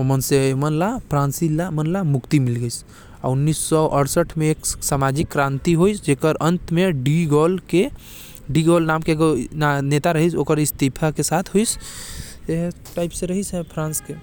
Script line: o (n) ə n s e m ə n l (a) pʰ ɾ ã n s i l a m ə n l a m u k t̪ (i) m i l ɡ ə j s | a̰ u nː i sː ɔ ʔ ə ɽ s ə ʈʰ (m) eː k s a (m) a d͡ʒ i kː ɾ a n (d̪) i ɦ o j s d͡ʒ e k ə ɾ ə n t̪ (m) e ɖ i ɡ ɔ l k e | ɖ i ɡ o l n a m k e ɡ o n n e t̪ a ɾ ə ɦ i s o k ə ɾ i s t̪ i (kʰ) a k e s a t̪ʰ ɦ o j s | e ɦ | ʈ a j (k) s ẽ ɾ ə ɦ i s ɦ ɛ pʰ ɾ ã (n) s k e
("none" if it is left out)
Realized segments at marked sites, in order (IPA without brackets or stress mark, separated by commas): m, a, i, m, m, t̪, m, pʰ, p, n